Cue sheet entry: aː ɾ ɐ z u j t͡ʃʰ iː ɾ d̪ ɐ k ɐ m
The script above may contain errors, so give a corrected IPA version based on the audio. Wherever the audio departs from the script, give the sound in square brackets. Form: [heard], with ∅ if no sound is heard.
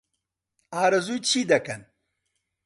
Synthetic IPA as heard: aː ɾ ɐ z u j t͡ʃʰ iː [∅] d̪ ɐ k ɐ [n]